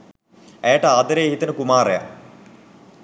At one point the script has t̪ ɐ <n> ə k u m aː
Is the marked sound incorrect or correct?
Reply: correct